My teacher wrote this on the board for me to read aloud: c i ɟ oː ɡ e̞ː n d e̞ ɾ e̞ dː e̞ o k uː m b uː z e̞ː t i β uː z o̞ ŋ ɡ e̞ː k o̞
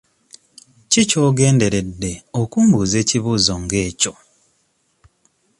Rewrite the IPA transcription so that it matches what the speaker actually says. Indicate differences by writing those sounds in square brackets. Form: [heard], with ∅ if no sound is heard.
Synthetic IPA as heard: c i [c] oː ɡ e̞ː n d e̞ ɾ e̞ dː e̞ o k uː m b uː z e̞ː [c] i β uː z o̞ ŋ ɡ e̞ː [c] o̞

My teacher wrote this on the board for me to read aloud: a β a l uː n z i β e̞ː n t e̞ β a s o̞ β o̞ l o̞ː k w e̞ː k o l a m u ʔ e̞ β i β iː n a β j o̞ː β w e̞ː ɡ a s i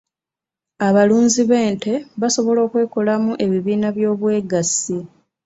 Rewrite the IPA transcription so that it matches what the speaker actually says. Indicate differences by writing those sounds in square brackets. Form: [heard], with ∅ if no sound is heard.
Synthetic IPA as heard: a β a l uː n z i β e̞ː n t e̞ β a s o̞ β o̞ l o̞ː k w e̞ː k o l a m u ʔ e̞ β i β iː n a β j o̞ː β w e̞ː ɡ a s i

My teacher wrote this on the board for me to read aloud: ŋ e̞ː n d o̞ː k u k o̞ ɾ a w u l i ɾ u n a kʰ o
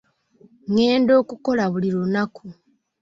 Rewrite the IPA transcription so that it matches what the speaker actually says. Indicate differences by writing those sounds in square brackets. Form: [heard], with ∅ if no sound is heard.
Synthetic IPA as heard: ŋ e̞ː n d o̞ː k u k o̞ [l] a [β] u l i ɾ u n a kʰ [u]

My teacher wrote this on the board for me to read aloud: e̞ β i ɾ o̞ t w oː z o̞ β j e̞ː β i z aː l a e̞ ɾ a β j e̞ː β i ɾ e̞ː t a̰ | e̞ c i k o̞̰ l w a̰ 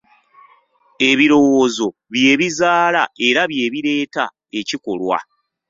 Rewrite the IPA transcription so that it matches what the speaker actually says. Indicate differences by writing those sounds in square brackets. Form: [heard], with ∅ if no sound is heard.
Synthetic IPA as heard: e̞ β i ɾ o̞ [∅] w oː z o̞ β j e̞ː β i z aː l a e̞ ɾ a β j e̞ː β i ɾ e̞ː t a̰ | e̞ c i k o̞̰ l w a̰

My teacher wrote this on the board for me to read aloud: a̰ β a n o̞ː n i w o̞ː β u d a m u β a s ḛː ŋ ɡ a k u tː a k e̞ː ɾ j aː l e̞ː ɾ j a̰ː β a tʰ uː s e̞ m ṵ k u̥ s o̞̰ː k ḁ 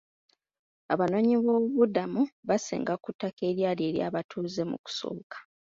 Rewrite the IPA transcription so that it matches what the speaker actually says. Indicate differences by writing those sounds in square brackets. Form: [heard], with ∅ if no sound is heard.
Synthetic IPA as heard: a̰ β a n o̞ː [ɲ] i [β] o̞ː β u d a m u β a s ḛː ŋ ɡ a k u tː a k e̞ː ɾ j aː l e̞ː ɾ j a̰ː β a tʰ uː [z] e̞ m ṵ k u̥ s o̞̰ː k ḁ

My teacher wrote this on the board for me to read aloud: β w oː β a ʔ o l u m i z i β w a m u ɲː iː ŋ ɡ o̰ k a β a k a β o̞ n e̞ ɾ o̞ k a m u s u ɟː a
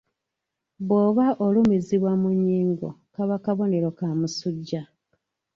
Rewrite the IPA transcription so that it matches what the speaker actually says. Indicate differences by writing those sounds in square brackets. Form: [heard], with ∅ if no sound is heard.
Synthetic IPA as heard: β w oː β a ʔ o l u m i z i β w a m u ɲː iː ŋ ɡ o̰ k a β a k a β o̞ n e̞ ɾ o̞ k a m u s u ɟː a

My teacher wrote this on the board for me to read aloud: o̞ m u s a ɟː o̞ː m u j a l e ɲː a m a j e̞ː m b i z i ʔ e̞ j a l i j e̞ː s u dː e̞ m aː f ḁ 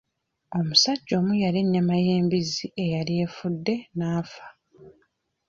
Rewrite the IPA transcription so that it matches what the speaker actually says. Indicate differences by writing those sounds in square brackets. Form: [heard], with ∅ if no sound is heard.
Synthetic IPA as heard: o̞ m u s a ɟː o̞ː m u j a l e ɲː a m a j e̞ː m b i z i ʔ e̞ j a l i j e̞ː [f] u dː e̞ [n] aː f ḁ

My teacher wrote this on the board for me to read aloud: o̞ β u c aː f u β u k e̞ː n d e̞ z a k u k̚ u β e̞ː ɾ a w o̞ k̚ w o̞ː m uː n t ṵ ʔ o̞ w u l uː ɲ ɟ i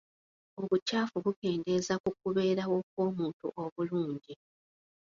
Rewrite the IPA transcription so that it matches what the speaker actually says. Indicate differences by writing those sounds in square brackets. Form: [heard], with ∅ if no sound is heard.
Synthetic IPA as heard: o̞ β u c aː f u β u k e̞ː n d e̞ z a k u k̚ u β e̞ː ɾ a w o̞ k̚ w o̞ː m uː n t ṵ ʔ o̞ [β] u l uː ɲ ɟ i

